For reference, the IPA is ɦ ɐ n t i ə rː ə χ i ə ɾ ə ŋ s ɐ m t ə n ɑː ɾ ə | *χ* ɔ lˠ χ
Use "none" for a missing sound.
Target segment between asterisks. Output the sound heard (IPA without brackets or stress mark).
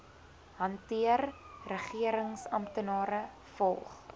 f